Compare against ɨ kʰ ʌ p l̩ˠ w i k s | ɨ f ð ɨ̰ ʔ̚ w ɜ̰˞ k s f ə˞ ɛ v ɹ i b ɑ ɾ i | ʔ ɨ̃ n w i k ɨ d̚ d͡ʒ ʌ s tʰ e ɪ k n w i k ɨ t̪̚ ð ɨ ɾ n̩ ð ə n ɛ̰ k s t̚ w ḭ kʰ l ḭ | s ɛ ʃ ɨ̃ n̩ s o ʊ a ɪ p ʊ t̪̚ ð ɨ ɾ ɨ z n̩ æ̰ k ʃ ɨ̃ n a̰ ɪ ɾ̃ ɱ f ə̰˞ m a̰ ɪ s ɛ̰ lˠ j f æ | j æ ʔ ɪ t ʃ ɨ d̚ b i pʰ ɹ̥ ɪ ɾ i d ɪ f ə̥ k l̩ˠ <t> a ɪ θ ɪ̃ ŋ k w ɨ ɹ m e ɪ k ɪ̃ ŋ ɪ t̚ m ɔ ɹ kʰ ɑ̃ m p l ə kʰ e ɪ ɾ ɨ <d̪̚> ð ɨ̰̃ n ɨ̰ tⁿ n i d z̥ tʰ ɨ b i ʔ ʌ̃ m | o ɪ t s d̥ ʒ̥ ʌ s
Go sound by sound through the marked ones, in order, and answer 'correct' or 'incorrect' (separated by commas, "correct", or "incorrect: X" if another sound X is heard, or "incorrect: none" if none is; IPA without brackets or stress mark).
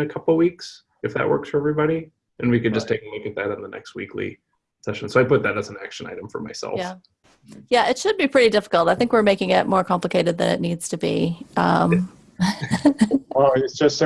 correct, correct